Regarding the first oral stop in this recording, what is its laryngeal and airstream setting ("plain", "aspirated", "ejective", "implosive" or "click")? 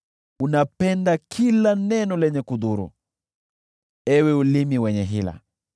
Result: plain